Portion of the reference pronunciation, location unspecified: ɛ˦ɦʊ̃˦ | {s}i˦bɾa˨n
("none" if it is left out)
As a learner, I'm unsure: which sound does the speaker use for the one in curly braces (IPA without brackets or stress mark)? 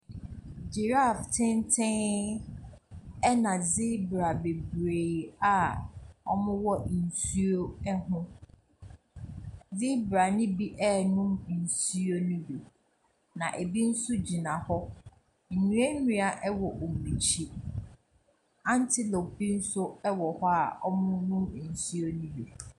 z